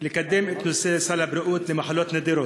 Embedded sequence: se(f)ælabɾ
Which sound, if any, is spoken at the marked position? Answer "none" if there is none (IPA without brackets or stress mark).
s